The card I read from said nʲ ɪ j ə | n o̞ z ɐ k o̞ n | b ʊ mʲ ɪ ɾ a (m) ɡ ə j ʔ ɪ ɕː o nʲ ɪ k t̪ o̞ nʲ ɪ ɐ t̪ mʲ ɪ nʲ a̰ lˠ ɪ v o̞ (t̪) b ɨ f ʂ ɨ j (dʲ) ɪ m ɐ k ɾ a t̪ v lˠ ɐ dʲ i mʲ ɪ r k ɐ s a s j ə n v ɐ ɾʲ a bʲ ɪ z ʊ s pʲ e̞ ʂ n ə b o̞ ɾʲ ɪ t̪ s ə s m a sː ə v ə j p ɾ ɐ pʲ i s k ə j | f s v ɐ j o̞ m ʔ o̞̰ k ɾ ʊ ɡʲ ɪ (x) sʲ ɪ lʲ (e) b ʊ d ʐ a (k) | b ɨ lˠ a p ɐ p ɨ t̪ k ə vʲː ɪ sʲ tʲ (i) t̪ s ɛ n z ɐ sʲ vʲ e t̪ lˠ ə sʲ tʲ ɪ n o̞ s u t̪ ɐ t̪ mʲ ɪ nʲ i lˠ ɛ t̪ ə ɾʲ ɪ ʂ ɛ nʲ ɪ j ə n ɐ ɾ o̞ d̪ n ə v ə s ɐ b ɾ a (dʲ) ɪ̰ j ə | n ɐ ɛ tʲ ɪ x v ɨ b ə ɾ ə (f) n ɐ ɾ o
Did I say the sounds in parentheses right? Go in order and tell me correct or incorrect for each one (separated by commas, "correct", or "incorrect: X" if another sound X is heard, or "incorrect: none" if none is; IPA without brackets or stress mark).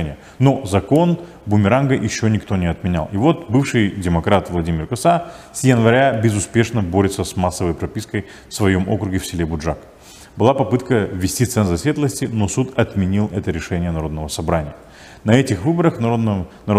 incorrect: n, correct, correct, incorrect: f, correct, correct, correct, incorrect: nʲ, incorrect: x